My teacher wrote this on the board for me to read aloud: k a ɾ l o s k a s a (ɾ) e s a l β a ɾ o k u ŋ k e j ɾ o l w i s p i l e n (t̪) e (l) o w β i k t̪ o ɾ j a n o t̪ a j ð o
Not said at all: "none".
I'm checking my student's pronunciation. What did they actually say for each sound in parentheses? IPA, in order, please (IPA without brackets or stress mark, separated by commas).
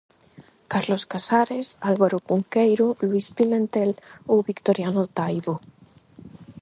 ɾ, t̪, l